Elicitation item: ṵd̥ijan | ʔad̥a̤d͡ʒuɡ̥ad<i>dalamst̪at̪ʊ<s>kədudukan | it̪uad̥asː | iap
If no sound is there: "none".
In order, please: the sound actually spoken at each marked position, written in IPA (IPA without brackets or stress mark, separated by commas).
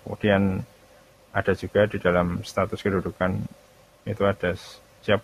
i, s